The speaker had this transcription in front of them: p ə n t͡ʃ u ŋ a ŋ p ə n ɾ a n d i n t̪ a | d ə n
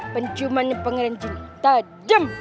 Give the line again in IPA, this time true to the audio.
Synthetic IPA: p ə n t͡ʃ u m a n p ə ŋ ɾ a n d͡ʒ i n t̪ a | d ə m